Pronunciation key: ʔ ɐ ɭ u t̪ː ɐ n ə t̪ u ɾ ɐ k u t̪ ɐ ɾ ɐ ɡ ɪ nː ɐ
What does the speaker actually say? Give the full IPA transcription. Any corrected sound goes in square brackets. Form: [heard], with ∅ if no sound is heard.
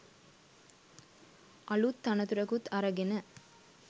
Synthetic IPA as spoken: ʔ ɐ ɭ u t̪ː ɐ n [ɐ] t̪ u ɾ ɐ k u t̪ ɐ ɾ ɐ ɡ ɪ [n] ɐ